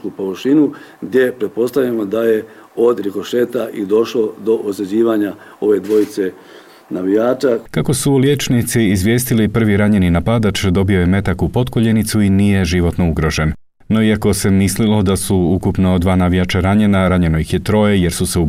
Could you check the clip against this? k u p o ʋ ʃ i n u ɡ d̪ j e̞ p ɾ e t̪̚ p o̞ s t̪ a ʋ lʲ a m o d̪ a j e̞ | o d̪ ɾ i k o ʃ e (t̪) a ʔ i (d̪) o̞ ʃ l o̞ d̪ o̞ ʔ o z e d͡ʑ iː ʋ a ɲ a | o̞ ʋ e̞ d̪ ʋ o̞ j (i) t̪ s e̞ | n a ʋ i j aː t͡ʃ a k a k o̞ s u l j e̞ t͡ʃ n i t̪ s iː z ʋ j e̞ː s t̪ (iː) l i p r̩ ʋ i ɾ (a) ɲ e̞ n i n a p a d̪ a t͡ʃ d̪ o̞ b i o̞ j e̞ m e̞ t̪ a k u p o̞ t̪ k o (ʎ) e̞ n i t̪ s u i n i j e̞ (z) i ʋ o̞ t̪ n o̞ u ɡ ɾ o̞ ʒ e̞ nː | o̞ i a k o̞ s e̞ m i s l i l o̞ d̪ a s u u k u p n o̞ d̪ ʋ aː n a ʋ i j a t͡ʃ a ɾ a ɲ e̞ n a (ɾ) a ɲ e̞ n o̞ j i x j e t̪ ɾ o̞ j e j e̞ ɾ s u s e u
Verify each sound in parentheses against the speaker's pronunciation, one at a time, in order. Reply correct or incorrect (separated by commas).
correct, correct, correct, incorrect, correct, correct, incorrect, correct